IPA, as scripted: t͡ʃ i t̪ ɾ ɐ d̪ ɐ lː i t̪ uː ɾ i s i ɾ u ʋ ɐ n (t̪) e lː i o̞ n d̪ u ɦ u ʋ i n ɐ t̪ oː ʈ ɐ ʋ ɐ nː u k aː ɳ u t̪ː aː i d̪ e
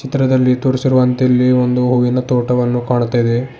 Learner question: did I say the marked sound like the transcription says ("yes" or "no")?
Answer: yes